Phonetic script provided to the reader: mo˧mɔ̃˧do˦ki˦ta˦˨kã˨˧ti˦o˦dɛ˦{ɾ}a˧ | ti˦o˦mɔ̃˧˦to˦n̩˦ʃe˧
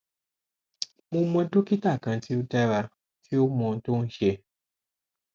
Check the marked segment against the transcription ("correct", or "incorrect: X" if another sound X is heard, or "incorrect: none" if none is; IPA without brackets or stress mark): correct